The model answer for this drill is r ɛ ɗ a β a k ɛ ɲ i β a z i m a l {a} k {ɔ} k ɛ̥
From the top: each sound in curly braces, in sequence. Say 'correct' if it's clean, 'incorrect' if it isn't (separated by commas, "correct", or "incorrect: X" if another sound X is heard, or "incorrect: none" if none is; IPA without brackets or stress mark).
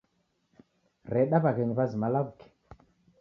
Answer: correct, incorrect: u